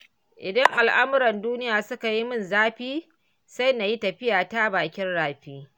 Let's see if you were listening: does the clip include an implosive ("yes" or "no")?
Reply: no